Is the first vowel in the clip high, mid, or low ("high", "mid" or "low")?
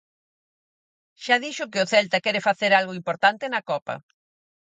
low